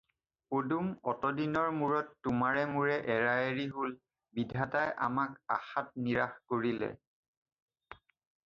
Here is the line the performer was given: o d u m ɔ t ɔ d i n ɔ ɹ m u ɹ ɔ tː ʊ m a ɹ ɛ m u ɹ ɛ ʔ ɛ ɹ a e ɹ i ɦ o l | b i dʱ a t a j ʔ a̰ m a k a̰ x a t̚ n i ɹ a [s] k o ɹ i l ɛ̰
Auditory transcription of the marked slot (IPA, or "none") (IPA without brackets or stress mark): x